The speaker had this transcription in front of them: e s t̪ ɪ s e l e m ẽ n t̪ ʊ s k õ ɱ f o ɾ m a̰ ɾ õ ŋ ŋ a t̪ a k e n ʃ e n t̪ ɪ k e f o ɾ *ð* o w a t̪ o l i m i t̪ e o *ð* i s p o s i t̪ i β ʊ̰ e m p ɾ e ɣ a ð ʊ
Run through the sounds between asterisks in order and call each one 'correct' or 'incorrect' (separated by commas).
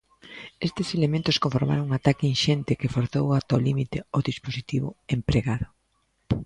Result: incorrect, correct